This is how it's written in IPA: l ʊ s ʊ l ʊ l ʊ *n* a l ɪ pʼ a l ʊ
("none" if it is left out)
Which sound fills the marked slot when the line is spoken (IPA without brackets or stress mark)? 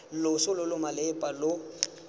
m